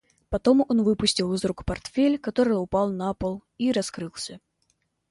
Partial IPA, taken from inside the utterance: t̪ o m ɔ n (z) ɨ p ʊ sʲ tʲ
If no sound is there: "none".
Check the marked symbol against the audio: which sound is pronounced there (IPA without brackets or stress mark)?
v